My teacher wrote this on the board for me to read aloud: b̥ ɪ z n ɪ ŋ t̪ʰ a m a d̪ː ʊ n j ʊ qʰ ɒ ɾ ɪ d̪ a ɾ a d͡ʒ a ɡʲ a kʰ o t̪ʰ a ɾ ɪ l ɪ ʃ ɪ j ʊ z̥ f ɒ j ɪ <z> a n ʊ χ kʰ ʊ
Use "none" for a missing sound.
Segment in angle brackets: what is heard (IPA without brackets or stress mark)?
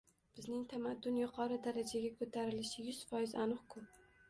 z